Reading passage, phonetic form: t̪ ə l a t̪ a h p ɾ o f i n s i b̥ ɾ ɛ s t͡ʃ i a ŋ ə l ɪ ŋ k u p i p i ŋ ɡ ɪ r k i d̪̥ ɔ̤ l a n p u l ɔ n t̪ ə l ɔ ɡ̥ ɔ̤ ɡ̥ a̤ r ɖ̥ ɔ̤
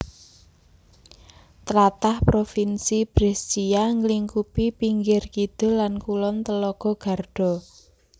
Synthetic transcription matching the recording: t̪ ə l a t̪ a h p ɾ o f i n s i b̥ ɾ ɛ s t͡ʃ i a ŋ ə l i ŋ k u p i p i ŋ ɡ ɪ r k i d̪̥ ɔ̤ l a n k u l ɔ n t̪ ə l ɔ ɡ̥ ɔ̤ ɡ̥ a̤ r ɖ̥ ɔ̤

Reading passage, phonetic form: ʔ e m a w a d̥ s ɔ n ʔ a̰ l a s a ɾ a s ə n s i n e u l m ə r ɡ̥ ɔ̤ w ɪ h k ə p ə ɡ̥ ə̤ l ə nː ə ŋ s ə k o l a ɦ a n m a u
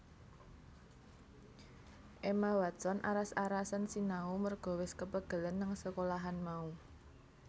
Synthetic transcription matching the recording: ʔ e m a w a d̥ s ɔ n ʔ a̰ ɾ a s a ɾ a s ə n s i n a u m ə r ɡ̥ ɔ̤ w ɪ s k ə p ə ɡ̥ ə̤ l ə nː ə ŋ s ə k o l a ɦ a n m a u

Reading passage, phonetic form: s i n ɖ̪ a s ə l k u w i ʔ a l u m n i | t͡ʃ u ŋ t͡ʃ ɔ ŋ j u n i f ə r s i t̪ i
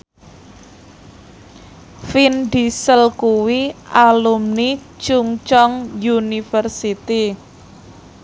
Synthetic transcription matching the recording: f i n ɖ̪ i s ə l k u w i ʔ a l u m n i | t͡ʃ u ŋ t͡ʃ ɔ ŋ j u n i f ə r s i t̪ i

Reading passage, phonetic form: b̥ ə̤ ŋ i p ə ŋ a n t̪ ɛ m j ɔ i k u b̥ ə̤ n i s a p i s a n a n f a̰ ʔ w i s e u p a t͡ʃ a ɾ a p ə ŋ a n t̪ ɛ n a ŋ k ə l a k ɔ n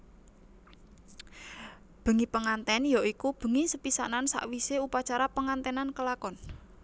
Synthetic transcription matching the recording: b̥ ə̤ ŋ i p ə ŋ a n t̪ ɛ n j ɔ i k u b̥ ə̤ ŋ i s ə p i s a n a n s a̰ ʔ w i s e u p a t͡ʃ a ɾ a p ə ŋ a n t̪ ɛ n a n k ə l a k ɔ n

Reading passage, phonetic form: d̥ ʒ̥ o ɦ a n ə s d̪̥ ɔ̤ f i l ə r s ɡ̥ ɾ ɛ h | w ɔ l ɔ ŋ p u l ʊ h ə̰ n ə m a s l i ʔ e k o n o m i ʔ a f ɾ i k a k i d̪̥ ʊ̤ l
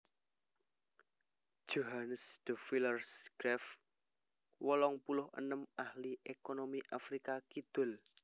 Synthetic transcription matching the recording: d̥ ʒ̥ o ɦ a n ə s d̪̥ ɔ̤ f i l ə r s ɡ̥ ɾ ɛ f | w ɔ l ɔ ŋ p u l ʊ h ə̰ n ə m a h l i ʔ e k o n o m i ʔ a f ɾ i k a k i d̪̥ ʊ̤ l

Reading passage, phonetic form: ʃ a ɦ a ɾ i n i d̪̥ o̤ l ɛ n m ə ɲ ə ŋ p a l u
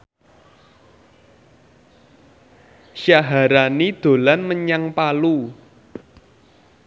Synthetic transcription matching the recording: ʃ a ɦ a ɾ a n i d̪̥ o̤ l a n m ə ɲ a ŋ p a l u

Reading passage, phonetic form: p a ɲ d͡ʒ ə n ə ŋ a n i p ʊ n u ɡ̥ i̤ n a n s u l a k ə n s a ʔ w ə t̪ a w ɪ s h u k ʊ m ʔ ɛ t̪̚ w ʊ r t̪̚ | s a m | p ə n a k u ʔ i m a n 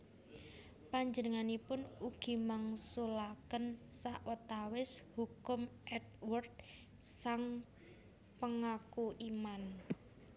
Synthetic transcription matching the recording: p a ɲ d͡ʒ ə n ə ŋ a n i p ʊ n u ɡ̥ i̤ m a ŋ s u l a k ə n s a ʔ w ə t̪ a w ɪ s h u k ʊ m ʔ ɛ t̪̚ w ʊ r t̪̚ | s a ŋ | p ə ŋ a k u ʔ i m a n

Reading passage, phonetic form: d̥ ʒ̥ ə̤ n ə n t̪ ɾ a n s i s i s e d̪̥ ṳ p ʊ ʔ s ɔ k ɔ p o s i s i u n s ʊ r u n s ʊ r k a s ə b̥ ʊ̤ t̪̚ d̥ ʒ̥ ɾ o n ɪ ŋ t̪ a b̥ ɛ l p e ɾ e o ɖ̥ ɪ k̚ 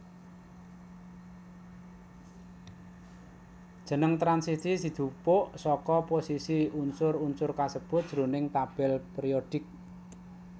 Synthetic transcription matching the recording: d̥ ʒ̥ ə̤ n ə ŋ t̪ ɾ a n s i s i s i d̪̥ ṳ p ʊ ʔ s ɔ k ɔ p o s i s i u n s ʊ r u n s ʊ r k a s ə b̥ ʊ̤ t̪̚ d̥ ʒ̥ ɾ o n ɪ ŋ t̪ a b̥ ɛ l p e ɾ i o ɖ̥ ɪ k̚

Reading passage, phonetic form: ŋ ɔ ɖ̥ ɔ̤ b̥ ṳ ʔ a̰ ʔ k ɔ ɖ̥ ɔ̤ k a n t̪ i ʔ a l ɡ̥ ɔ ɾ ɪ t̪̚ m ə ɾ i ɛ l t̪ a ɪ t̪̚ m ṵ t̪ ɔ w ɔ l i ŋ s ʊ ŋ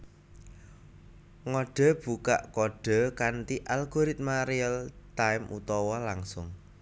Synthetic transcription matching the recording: ŋ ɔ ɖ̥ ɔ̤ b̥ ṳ k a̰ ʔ k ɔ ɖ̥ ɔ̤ k a n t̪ i ʔ a l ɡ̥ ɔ ɾ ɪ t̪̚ m a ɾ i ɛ l t̪ a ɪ m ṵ t̪ ɔ w ɔ l a ŋ s ʊ ŋ

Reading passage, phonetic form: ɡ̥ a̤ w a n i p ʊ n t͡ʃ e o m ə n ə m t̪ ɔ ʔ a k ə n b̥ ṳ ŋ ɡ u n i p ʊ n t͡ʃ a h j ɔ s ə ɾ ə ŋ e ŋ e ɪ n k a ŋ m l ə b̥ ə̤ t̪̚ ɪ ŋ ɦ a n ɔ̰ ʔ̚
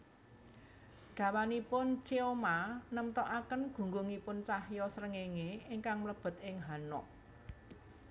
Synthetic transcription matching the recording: ɡ̥ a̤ w a n i p ʊ n t͡ʃ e o m a n ə m t̪ ɔ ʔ a k ə n ɡ̥ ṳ ŋ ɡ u ŋ i p ʊ n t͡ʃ a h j ɔ s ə ɾ ə ŋ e ŋ e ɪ ŋ k a ŋ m l ə b̥ ə̤ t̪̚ ɪ ŋ ɦ a n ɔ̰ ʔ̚

